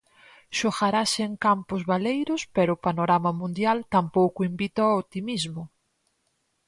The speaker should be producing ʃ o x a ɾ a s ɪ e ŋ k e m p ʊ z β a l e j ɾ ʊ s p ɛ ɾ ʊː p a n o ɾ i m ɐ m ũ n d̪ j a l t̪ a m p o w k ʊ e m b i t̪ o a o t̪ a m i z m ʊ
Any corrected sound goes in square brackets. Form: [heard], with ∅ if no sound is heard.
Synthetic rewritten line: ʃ o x a ɾ a s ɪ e ŋ k [a] m p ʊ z β a l e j ɾ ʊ s p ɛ ɾ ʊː p a n o ɾ [a] m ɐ m ũ n d̪ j a l t̪ a m p o w k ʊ [i] m b i t̪ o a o t̪ [i] m i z m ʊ